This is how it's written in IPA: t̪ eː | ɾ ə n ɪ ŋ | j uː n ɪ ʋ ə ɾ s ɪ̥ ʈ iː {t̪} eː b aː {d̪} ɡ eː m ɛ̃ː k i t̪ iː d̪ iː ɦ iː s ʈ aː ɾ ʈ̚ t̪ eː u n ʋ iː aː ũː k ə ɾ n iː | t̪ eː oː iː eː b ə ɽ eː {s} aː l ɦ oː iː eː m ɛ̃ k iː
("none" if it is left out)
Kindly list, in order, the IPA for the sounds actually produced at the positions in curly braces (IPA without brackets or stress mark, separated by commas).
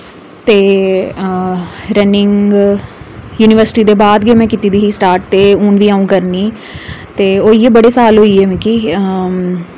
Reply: d̪, d̪, s